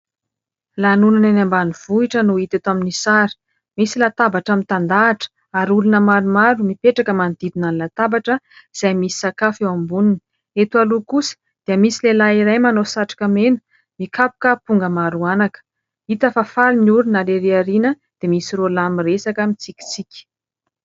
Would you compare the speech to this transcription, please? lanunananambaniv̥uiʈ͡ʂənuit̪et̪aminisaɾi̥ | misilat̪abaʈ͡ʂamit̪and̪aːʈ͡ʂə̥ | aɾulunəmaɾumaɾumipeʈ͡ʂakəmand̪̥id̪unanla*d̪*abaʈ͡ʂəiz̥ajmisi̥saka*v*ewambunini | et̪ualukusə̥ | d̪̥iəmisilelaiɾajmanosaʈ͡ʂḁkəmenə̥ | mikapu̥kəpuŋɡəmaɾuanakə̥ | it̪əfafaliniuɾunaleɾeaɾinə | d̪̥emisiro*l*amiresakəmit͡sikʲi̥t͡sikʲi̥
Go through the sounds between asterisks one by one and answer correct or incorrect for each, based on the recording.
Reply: incorrect: t̪, incorrect: f, correct

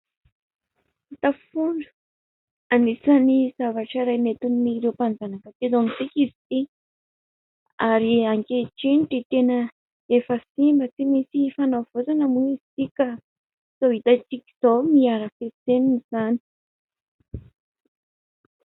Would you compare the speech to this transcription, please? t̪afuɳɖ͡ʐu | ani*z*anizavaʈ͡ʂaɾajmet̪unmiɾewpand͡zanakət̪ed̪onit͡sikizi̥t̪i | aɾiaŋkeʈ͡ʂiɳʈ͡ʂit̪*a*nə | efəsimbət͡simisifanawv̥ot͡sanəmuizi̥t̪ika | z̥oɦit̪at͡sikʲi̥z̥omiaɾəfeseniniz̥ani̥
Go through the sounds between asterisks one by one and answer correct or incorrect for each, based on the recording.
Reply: incorrect: s, incorrect: e

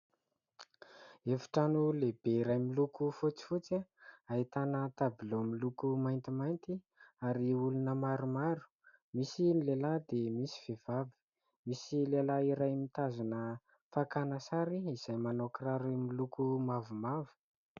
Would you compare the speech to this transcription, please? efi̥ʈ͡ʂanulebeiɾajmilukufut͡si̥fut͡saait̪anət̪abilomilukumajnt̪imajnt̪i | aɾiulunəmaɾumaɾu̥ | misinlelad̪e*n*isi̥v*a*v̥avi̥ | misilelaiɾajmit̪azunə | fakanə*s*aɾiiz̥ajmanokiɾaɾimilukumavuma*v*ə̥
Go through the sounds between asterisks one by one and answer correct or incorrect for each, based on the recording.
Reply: incorrect: m, incorrect: e, correct, correct

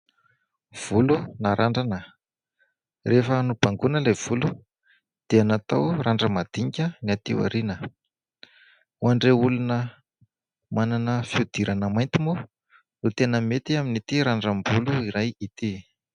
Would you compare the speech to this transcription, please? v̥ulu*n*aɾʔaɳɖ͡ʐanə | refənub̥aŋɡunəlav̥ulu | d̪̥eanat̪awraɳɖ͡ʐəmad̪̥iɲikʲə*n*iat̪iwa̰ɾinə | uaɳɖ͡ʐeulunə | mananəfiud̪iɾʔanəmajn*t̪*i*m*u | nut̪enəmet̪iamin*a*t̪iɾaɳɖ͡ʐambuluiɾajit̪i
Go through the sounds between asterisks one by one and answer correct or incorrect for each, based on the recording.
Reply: correct, correct, correct, correct, incorrect: i

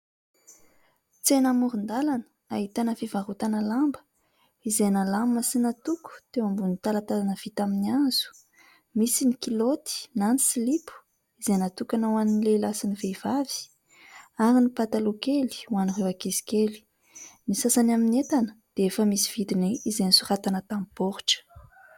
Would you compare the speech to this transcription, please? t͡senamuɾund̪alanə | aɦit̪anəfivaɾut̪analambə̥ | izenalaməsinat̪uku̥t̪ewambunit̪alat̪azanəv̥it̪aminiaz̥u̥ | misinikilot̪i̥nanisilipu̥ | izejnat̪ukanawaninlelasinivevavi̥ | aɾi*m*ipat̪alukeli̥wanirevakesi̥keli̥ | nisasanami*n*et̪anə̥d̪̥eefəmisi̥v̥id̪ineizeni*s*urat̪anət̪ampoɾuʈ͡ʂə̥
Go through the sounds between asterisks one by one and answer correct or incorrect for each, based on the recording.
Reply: incorrect: n, correct, correct

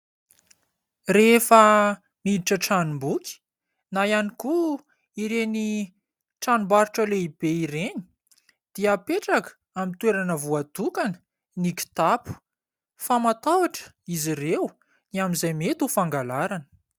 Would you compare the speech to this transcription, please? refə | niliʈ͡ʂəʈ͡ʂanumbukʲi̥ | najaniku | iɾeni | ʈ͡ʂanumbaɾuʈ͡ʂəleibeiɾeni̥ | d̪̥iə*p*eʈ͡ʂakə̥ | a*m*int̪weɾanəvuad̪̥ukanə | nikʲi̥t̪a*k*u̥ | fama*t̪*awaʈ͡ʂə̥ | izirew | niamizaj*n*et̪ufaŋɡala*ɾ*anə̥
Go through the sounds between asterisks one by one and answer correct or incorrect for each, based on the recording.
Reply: correct, correct, incorrect: p, correct, incorrect: m, correct

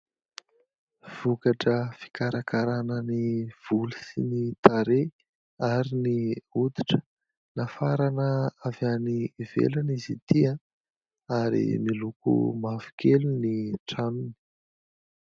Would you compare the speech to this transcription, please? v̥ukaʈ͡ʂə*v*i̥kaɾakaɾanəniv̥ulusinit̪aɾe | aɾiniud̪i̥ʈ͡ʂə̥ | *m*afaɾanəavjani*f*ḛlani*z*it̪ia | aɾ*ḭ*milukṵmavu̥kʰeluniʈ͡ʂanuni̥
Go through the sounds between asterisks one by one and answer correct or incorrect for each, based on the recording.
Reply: incorrect: f, incorrect: n, incorrect: v, correct, correct

